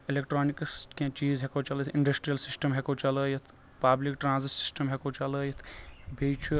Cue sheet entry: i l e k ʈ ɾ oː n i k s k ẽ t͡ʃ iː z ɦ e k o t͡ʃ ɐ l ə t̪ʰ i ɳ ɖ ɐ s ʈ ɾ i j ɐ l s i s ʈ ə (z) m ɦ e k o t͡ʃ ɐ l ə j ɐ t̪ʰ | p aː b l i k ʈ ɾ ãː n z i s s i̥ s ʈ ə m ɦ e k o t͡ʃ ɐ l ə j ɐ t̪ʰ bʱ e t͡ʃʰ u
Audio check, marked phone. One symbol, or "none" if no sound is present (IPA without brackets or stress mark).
none